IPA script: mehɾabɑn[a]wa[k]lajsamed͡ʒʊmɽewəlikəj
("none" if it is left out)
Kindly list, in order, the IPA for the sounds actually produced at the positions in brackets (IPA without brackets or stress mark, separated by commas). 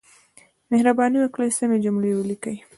i, k